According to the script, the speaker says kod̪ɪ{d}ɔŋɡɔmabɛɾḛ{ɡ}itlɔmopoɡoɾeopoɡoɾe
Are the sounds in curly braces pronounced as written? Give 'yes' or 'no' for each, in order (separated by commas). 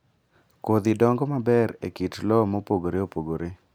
yes, no